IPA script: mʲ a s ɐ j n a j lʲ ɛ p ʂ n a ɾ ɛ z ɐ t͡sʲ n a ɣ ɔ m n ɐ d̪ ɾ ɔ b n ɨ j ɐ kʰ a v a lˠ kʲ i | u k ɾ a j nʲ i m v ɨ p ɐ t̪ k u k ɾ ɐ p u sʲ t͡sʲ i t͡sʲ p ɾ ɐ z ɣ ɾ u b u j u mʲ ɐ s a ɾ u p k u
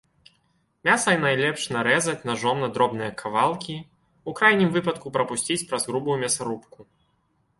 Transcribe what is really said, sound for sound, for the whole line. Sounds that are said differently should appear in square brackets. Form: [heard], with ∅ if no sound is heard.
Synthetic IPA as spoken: mʲ a s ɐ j n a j lʲ ɛ p ʂ n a ɾ ɛ z ɐ t͡sʲ n a [ʐ] ɔ m n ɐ d̪ ɾ ɔ b n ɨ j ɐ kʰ a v a lˠ kʲ i | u k ɾ a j nʲ i m v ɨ p ɐ t̪ k u [p] ɾ ɐ p u sʲ t͡sʲ i t͡sʲ p ɾ ɐ z ɣ ɾ u b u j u mʲ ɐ s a ɾ u p k u